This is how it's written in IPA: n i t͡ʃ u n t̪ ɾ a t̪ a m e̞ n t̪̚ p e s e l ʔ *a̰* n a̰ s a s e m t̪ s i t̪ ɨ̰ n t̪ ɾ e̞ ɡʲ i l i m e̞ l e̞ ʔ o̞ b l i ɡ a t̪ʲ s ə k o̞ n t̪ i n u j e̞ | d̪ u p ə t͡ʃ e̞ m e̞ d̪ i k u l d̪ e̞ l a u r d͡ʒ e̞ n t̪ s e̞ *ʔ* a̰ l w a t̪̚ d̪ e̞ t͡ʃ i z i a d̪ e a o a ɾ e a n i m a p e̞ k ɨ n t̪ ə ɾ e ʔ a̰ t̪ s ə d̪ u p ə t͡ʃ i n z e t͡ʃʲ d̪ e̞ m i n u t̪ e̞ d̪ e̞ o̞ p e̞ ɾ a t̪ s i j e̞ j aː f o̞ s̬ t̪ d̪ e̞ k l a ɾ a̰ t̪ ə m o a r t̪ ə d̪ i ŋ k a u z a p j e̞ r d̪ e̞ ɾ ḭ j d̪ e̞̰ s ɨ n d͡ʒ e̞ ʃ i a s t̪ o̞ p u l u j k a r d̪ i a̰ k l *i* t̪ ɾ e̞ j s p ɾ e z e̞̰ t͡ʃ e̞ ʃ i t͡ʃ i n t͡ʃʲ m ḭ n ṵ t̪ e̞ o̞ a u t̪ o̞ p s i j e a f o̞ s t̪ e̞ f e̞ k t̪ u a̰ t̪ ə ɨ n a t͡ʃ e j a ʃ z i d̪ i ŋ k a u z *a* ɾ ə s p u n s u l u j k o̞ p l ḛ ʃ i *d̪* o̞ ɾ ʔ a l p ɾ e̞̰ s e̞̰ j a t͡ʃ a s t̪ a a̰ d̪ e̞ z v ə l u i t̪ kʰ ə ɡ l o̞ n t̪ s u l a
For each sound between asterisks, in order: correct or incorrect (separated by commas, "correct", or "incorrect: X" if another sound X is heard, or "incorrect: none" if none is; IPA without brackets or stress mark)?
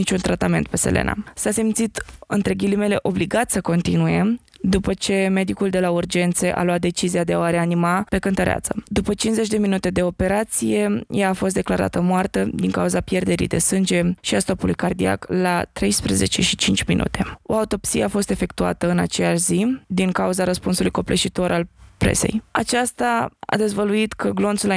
incorrect: ḛ, correct, incorrect: a, correct, incorrect: t̪